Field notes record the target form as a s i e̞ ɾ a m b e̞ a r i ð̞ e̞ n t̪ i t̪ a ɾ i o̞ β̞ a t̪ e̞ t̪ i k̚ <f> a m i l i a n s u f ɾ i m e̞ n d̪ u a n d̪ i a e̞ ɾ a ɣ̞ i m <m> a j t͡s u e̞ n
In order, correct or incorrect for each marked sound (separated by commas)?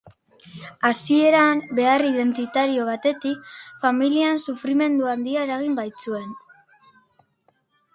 correct, incorrect